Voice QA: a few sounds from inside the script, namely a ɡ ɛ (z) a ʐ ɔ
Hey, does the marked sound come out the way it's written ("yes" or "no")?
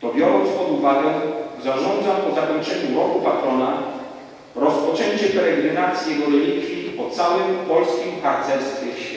yes